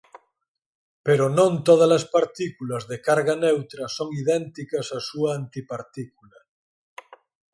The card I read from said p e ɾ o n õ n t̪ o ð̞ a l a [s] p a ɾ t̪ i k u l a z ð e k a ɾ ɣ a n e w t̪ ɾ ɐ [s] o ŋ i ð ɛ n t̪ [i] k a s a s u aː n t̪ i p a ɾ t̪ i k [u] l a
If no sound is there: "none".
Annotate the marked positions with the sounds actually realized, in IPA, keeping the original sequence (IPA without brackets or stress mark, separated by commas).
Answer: s, s, i, u